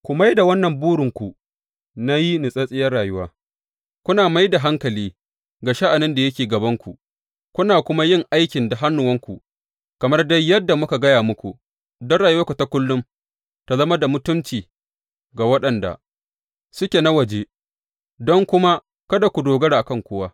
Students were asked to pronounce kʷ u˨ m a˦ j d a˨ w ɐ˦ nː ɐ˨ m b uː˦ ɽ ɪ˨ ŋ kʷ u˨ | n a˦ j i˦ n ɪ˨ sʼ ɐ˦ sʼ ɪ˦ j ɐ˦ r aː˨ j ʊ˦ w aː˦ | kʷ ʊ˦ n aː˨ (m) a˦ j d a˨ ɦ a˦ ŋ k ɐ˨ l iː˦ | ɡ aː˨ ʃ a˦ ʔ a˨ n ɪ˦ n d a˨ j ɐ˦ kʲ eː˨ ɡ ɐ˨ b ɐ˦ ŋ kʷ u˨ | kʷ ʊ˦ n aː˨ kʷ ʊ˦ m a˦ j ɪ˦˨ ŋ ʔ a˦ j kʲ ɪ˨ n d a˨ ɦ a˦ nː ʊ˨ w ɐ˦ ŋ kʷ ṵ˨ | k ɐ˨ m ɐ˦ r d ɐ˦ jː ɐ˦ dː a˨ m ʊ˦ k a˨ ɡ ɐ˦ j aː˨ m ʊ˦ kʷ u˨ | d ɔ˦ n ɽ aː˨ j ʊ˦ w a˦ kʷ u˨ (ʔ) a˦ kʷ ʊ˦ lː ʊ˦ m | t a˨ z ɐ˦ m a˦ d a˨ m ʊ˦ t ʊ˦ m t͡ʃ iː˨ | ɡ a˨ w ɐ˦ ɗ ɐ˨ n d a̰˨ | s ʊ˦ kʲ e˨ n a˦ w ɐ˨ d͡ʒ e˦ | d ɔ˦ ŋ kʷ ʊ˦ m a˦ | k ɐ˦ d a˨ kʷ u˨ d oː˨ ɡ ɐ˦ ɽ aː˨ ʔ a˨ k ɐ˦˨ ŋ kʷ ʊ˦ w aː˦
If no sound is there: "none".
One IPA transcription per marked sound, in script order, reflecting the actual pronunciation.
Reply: m, t

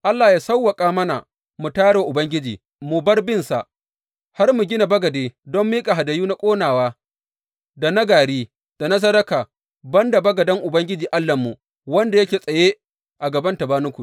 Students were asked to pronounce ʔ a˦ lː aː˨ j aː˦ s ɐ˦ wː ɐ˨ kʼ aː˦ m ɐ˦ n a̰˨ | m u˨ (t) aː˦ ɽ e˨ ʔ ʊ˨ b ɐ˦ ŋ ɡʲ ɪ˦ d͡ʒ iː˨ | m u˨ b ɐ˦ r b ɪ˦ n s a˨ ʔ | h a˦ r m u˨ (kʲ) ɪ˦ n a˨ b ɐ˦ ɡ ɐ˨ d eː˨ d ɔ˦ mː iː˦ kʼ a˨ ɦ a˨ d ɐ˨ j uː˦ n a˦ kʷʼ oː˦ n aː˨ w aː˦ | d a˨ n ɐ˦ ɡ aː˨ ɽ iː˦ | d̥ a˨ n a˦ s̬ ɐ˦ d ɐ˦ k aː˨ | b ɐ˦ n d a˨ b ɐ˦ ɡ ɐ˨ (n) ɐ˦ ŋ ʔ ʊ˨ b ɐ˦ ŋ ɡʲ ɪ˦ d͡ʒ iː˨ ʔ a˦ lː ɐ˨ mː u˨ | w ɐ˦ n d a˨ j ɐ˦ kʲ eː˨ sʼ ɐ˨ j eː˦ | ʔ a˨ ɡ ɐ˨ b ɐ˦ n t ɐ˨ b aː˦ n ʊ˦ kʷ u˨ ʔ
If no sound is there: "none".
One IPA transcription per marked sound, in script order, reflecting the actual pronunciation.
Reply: t, ɡʲ, d

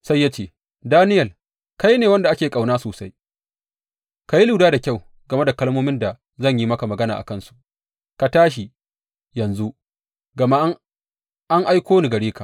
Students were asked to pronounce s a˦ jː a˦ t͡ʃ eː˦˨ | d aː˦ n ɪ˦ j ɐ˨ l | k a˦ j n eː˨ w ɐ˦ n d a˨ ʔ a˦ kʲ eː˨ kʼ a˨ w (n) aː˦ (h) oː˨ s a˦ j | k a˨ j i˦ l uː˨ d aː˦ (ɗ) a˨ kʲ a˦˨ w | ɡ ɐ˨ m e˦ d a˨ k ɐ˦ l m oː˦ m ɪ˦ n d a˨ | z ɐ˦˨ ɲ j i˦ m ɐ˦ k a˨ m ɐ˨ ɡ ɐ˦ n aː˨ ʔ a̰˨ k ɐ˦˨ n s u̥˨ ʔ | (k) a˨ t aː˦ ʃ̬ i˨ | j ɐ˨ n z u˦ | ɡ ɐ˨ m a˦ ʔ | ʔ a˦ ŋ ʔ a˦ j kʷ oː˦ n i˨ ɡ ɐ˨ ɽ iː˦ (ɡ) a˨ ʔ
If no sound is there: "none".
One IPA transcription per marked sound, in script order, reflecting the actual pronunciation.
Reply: n, s, d, k, k

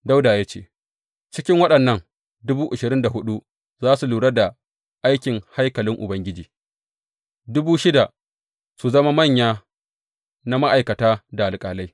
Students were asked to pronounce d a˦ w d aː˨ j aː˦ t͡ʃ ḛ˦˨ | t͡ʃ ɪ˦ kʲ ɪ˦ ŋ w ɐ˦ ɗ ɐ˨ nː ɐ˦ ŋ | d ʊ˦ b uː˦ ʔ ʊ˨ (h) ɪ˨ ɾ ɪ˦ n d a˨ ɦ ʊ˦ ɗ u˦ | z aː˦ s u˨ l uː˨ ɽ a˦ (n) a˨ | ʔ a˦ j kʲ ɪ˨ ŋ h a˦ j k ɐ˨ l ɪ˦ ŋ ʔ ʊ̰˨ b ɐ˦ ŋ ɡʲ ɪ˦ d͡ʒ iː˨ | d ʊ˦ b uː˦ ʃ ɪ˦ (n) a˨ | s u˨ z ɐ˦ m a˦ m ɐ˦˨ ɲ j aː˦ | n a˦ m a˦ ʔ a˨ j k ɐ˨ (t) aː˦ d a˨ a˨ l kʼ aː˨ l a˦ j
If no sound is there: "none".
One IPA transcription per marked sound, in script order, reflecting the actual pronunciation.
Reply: ʃ, d, d, t

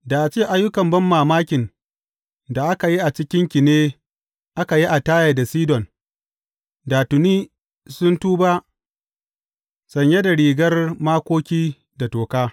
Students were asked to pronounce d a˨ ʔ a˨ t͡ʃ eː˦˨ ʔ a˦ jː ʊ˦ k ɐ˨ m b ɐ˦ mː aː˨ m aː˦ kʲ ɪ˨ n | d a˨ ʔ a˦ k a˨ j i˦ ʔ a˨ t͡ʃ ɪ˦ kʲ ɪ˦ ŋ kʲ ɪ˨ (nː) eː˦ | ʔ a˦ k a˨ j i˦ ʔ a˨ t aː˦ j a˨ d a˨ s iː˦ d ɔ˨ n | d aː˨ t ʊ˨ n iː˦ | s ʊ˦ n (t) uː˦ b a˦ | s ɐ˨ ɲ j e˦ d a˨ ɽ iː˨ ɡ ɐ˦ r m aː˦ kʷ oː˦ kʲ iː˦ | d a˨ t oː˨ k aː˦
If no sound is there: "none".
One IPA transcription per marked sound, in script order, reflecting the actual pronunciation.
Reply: n, t

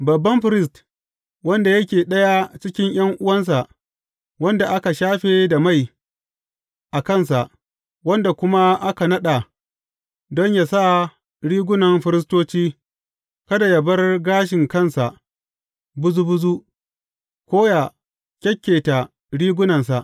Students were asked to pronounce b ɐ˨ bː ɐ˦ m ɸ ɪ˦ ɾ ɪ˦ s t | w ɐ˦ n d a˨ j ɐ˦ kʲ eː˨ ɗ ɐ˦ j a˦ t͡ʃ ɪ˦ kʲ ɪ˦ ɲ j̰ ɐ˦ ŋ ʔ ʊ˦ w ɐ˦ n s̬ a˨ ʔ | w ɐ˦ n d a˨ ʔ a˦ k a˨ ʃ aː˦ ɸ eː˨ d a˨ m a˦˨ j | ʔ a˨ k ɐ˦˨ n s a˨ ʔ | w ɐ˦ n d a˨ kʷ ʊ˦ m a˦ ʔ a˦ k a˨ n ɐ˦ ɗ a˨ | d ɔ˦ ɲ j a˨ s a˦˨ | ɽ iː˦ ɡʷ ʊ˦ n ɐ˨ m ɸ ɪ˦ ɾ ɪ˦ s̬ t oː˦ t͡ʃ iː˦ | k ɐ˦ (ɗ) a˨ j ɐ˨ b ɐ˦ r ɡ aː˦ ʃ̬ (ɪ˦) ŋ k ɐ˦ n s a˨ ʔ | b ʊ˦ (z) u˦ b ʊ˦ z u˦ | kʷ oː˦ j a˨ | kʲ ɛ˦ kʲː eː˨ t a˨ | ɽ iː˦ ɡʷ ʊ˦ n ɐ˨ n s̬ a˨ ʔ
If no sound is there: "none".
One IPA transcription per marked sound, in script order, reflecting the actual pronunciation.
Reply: d, ɪ˨, z

